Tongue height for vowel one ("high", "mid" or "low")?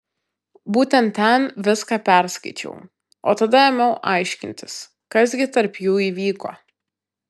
high